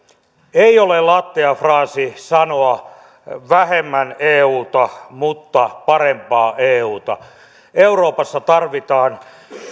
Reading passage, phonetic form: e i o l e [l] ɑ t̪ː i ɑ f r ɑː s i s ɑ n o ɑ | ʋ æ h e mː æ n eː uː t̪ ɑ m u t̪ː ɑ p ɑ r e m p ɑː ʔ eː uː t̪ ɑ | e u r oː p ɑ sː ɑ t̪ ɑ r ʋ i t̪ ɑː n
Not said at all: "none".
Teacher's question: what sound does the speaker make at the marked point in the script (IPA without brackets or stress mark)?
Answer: l